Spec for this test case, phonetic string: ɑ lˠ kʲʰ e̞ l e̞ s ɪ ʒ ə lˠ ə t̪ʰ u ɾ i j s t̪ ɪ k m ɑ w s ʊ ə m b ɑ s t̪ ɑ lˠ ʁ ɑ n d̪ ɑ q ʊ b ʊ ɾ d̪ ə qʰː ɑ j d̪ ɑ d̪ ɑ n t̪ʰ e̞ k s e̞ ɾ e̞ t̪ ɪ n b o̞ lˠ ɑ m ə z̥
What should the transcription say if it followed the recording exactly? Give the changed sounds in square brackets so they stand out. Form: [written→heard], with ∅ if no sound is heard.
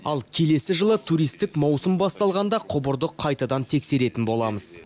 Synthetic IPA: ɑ lˠ kʲʰ e̞ l e̞ s ɪ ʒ ə lˠ ə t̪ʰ u ɾ i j s t̪ ɪ k m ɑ w s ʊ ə m b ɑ s t̪ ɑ lˠ ʁ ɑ n d̪ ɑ [q→qʰ] ʊ b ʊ ɾ d̪ ə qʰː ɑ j [d̪→t̪] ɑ d̪ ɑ n t̪ʰ e̞ k s e̞ ɾ e̞ t̪ ɪ n b o̞ lˠ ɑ m ə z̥